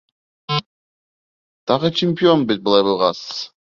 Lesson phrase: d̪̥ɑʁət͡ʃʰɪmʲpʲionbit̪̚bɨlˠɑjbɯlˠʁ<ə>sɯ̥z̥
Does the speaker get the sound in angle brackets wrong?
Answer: yes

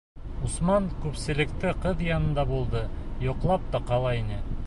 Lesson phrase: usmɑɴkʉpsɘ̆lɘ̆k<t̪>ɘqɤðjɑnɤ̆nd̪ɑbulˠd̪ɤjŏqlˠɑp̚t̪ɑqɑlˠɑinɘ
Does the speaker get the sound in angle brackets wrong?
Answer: no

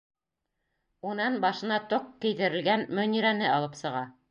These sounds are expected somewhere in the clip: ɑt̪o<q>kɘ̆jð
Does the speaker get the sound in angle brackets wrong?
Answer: no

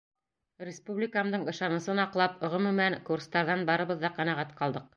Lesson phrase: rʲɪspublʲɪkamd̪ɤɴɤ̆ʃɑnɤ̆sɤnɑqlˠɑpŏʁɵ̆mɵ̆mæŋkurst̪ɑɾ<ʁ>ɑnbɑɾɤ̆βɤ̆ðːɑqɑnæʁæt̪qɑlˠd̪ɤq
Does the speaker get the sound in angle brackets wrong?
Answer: yes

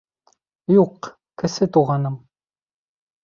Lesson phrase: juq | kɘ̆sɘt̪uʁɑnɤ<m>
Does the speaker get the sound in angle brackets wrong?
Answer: no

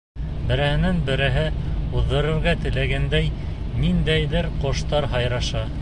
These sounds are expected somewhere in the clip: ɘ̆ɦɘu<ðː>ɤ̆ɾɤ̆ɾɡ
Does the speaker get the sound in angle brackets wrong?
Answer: no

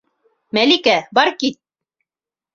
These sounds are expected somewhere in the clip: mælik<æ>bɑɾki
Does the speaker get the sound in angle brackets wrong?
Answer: no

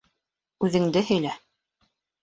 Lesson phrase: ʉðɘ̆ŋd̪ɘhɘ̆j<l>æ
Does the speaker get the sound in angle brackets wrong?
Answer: no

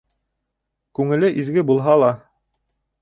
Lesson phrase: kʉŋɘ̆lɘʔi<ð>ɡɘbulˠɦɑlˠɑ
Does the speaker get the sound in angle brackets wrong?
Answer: yes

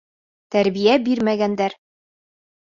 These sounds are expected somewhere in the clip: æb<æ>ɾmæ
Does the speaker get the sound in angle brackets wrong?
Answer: yes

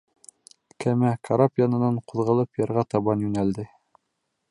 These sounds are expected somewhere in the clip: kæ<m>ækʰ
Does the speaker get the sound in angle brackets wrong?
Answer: no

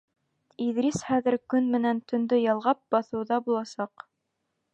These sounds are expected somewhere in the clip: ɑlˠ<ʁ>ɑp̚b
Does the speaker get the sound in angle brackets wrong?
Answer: no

